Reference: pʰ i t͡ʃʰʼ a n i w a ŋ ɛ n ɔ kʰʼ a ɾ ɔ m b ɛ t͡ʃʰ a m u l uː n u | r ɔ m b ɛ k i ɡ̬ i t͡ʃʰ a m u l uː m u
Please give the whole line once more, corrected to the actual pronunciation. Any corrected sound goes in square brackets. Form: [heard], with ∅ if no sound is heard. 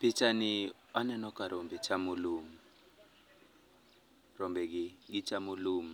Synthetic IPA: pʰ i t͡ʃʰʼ a n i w a [n] ɛ n ɔ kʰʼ a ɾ ɔ m b ɛ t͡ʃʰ a m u l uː [m] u | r ɔ m b ɛ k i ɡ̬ i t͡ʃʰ a m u l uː m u